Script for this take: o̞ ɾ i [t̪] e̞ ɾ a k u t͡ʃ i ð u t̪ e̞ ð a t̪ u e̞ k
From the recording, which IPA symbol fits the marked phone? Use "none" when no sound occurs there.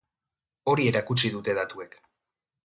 none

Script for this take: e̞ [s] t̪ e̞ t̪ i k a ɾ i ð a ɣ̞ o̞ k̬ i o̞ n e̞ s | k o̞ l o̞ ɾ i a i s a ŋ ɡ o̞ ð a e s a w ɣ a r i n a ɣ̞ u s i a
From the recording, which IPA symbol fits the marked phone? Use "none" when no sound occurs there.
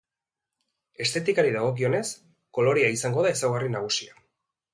s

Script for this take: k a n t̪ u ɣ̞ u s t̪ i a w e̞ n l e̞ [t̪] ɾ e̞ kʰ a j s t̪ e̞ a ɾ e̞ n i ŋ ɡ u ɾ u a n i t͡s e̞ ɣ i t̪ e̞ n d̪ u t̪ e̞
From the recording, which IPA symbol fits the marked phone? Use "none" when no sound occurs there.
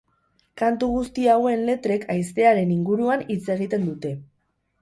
t̪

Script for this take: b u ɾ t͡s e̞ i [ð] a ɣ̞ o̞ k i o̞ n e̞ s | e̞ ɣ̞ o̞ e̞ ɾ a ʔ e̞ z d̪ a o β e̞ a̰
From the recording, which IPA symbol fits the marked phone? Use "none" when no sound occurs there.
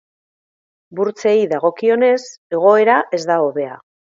ð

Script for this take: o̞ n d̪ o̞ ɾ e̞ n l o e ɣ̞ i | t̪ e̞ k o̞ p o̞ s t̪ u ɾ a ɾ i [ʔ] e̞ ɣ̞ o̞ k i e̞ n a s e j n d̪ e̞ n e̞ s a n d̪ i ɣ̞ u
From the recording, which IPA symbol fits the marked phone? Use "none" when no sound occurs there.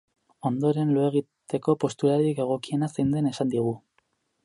k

